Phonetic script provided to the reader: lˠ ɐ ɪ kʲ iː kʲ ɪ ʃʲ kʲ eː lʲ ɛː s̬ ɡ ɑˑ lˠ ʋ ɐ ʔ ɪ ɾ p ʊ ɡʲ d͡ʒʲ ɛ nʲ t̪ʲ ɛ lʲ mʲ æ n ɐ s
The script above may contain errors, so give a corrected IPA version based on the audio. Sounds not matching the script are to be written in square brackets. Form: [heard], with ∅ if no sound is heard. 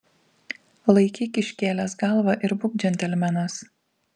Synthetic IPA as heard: lˠ ɐ ɪ kʲ iː kʲ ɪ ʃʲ kʲ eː lʲ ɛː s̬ ɡ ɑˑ lˠ ʋ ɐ ʔ ɪ ɾ [b] ʊ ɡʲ d͡ʒʲ ɛ nʲ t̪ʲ ɛ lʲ mʲ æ n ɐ s